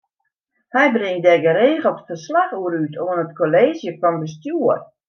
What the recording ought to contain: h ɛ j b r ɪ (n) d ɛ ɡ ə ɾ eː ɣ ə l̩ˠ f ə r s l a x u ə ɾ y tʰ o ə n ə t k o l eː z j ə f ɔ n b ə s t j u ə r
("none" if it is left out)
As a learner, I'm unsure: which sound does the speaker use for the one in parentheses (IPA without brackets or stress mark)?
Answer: ŋ